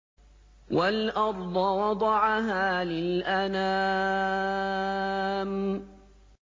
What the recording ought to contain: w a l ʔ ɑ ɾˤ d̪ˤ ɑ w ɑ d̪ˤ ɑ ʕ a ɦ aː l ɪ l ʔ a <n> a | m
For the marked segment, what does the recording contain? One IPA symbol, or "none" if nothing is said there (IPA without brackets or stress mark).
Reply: n